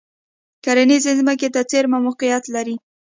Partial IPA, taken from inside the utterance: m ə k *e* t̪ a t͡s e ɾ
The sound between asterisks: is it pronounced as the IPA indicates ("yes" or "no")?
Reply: yes